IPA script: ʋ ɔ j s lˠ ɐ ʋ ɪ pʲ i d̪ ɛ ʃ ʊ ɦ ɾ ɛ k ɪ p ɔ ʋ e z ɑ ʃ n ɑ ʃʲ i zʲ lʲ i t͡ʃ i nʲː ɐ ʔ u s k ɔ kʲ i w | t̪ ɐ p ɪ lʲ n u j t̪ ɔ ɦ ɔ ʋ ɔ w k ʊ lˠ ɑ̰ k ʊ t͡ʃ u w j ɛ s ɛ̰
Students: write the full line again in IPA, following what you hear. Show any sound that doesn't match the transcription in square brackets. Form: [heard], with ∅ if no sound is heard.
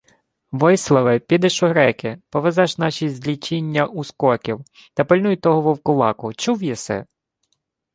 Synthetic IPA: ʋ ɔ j s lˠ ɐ ʋ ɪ pʲ i d̪ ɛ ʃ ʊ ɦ ɾ ɛ k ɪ p ɔ ʋ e z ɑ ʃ n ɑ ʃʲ i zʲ lʲ i t͡ʃ i nʲː ɐ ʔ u s k ɔ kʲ i w | t̪ ɐ p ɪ lʲ n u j t̪ ɔ ɦ ɔ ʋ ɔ w k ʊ lˠ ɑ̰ k ʊ t͡ʃ u w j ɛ s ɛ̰